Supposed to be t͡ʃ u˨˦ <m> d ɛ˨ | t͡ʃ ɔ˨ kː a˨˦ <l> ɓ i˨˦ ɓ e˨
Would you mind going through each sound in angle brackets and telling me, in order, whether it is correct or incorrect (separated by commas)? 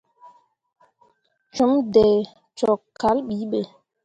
correct, correct